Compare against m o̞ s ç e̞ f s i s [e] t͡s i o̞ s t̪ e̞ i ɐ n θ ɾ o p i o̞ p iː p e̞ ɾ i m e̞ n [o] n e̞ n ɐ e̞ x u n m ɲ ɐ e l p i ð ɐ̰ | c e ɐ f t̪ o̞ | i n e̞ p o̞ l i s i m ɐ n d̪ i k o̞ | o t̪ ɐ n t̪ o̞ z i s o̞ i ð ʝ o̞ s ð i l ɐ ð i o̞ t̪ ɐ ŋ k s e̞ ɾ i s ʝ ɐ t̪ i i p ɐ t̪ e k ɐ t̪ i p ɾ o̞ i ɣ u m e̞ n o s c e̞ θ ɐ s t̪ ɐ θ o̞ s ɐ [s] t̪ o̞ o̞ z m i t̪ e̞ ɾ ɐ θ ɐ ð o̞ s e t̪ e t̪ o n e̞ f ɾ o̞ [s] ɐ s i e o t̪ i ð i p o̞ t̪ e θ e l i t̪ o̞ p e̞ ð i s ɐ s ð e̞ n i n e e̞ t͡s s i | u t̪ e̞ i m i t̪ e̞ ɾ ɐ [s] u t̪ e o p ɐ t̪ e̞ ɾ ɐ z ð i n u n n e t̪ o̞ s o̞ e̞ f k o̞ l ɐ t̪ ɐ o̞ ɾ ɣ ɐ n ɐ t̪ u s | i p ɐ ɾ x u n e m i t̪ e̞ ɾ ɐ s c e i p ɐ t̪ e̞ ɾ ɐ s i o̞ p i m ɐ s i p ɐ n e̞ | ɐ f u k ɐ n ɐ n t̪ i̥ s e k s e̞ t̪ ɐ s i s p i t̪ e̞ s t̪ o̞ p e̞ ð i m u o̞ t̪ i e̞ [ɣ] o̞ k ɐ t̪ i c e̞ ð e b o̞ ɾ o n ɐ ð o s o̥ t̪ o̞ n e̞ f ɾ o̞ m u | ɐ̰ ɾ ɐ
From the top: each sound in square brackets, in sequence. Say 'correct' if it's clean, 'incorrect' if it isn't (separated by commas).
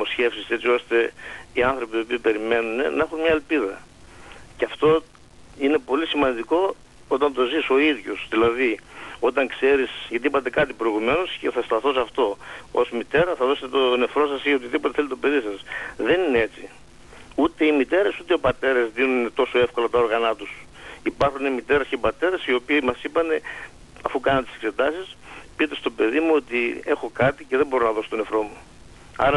correct, incorrect, incorrect, correct, correct, incorrect